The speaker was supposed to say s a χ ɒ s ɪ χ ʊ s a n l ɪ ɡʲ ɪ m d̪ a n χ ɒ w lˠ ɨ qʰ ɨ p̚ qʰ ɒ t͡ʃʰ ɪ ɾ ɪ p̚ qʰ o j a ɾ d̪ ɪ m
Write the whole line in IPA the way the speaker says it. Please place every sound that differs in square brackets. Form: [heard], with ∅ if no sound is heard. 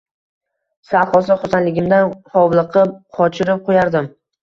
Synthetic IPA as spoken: s a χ ɒ s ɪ χ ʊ s a n l ɪ ɡʲ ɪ m d̪ a n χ ɒ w lˠ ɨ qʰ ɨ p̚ qʰ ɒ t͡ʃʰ ɪ ɾ ɪ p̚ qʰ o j a ɾ d̪ ɪ m